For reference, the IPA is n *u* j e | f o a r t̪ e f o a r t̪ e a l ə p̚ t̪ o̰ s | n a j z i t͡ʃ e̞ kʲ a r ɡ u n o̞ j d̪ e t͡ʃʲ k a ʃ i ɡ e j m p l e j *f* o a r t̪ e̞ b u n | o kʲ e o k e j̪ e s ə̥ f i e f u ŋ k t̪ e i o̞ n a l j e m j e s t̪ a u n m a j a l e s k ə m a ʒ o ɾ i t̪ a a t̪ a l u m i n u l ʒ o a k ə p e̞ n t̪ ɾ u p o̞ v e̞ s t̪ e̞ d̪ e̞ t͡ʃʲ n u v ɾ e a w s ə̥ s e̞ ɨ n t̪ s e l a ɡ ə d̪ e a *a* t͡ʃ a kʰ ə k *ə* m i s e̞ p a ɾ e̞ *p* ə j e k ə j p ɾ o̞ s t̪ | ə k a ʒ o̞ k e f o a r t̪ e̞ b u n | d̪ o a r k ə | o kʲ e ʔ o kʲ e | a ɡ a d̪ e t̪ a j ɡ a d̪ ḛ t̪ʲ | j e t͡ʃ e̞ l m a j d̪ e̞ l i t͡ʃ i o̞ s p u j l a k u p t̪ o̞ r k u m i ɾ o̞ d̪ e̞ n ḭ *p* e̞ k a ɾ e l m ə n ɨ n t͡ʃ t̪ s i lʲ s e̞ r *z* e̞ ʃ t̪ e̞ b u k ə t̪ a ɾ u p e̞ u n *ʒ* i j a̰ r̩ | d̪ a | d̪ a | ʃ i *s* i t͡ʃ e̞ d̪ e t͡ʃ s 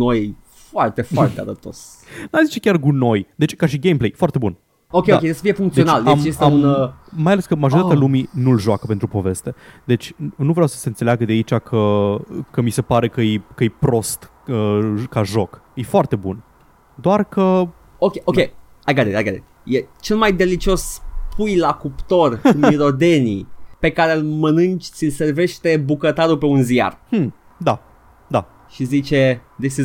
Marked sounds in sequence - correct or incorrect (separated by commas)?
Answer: incorrect, correct, incorrect, correct, incorrect, correct, incorrect, incorrect, incorrect